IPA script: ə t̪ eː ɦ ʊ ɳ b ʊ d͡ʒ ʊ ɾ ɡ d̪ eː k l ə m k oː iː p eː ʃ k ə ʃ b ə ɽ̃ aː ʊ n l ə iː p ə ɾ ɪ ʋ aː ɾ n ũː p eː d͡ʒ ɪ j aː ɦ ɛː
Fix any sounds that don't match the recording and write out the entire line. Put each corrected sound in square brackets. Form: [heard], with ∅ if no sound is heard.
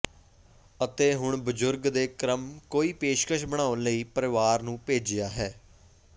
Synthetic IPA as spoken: ə t̪ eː ɦ ʊ ɳ b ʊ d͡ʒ ʊ ɾ ɡ d̪ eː k [ɾ] ə m k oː iː p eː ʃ k ə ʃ b ə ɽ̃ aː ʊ n l ə iː p ə ɾ ɪ ʋ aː ɾ n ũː p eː d͡ʒ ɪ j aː ɦ ɛː